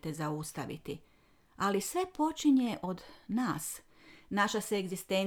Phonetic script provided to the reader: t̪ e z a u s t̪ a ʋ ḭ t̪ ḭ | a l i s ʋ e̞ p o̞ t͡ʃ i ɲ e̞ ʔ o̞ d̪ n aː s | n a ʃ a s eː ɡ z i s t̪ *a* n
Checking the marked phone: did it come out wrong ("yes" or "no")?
yes